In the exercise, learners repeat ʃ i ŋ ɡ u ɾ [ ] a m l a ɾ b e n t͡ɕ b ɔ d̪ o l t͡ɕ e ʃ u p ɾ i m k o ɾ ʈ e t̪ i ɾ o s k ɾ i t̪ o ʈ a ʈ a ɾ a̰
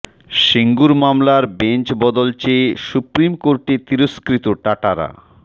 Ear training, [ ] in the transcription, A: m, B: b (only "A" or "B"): A